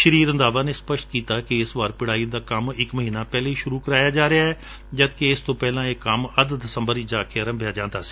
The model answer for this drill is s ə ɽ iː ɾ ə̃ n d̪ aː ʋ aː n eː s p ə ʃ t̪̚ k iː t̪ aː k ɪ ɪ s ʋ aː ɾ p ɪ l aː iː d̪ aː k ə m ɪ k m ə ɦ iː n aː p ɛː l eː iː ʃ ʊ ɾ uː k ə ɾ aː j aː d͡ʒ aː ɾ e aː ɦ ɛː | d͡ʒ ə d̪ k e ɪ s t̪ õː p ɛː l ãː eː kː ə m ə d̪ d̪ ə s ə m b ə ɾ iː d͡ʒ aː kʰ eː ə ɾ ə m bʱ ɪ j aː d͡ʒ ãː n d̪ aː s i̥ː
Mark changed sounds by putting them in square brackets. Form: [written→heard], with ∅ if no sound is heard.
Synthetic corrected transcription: [s→ʃ] ə [ɽ→ɾ] iː ɾ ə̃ n d̪ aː ʋ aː n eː s p ə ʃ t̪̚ k iː t̪ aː k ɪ ɪ s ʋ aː ɾ p ɪ [l→ɽ] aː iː d̪ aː k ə m ɪ k m ə ɦ iː n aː p ɛː l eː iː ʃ ʊ ɾ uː k ə ɾ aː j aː d͡ʒ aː ɾ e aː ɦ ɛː | d͡ʒ ə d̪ k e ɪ s t̪ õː p ɛː l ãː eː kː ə m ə d̪ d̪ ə s ə m b ə ɾ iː d͡ʒ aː kʰ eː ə ɾ ə m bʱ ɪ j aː d͡ʒ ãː n d̪ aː s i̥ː